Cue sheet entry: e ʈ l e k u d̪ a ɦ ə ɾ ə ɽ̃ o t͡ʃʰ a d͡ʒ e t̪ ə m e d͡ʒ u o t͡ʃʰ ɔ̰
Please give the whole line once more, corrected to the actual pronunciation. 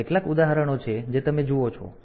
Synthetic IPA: e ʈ l a k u d̪ a ɦ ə ɾ ə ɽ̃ o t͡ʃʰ e d͡ʒ e t̪ ə m e d͡ʒ u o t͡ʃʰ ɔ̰